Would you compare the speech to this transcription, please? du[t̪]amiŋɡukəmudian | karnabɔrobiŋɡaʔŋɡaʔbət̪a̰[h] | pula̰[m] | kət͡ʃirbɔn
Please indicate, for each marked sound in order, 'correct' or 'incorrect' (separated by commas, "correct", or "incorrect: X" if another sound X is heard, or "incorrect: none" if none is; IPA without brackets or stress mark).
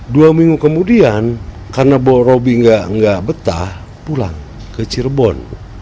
incorrect: none, correct, incorrect: ŋ